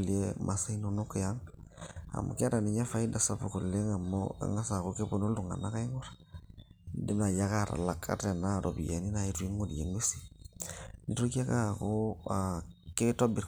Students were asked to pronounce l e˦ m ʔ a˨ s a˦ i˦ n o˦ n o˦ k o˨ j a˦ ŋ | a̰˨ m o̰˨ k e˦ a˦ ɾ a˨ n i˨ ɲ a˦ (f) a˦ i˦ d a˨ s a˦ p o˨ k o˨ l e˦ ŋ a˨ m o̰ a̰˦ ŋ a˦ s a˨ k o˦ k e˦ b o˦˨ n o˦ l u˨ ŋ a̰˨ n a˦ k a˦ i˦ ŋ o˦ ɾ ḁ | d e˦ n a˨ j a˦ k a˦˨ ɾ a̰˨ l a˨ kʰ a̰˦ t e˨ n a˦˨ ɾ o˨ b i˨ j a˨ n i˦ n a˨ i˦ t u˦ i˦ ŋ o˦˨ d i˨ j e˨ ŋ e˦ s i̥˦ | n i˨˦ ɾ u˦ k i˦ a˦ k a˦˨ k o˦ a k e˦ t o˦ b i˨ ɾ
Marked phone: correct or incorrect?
correct